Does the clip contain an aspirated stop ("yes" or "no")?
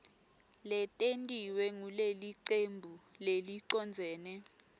no